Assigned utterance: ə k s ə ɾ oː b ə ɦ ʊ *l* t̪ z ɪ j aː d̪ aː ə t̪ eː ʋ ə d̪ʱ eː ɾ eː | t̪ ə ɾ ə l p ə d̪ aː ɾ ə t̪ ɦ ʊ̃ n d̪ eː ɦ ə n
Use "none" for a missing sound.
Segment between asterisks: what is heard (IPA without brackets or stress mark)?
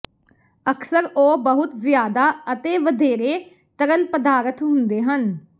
none